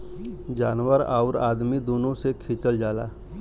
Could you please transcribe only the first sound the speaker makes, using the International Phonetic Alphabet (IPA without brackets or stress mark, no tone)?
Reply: d͡ʒ